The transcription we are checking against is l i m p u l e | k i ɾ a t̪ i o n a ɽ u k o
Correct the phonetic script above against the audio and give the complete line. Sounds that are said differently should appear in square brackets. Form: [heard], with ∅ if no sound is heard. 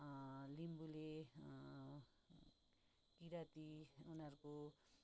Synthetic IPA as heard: l i m [b] u l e | k i ɾ a t̪ i [u] n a [ɾ] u k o